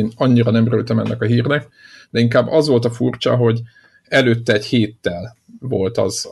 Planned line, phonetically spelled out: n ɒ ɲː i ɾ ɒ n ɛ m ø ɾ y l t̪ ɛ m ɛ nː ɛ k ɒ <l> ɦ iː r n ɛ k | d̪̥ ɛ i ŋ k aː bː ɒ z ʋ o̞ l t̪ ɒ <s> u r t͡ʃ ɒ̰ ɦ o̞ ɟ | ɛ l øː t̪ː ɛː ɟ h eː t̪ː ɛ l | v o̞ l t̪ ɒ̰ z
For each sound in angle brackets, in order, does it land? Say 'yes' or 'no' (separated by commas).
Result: no, no